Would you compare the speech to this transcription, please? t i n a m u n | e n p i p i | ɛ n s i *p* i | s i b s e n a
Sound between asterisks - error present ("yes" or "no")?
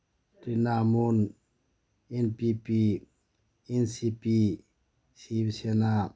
no